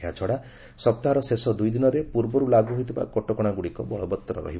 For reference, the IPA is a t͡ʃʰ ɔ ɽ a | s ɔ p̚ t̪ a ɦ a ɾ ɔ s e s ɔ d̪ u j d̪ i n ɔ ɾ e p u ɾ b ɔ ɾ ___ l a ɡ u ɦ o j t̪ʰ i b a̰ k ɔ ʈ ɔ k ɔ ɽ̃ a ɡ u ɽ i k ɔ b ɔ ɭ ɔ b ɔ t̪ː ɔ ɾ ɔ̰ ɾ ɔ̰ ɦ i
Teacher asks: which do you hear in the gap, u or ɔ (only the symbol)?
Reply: u